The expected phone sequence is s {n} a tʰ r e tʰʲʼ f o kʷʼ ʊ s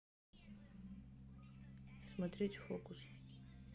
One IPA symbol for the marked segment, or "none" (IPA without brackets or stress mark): m